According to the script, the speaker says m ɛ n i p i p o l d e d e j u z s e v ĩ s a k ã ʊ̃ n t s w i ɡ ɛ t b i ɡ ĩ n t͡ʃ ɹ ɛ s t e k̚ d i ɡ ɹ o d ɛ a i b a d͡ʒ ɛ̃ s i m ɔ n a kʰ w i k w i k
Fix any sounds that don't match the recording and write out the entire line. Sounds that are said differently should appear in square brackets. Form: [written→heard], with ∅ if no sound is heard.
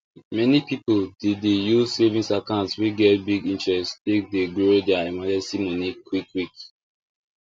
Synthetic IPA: m ɛ n i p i p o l d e d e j u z s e v ĩ s a k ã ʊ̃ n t s w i ɡ ɛ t b i ɡ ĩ n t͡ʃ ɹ ɛ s t e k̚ d [i→e] ɡ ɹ o d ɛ a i [b→m] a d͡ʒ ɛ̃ s i m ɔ n [a→i] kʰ w i k w i k